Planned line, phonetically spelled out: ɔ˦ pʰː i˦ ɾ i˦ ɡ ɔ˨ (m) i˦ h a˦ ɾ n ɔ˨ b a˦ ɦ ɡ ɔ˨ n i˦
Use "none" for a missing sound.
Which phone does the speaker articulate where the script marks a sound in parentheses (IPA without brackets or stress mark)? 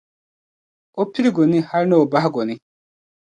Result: n